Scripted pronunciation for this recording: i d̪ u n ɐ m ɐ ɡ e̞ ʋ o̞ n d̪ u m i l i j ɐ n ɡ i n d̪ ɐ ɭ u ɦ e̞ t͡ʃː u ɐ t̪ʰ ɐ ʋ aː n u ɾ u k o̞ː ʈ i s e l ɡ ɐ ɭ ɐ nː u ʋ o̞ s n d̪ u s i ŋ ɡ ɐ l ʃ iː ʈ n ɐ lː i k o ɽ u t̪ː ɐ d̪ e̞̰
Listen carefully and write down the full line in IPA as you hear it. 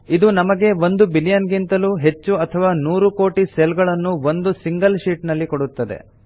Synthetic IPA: i d̪ u n ɐ m ɐ ɡ e̞ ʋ o̞ n d̪ u b i l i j ɐ n ɡ i n t̪ ɐ l u ɦ e̞ t͡ʃː u ɐ t̪ʰ ɐ ʋ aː n uː ɾ u k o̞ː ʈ i s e l ɡ ɐ ɭ ɐ nː u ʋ o̞ n d̪ u s i ŋ ɡ ɐ l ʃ iː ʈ n ɐ lː i k o ɽ u t̪ː ɐ d̪ e̞̰